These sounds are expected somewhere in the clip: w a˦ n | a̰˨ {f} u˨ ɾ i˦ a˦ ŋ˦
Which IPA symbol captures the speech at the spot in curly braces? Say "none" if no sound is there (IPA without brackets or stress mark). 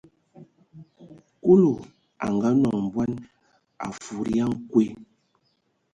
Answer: f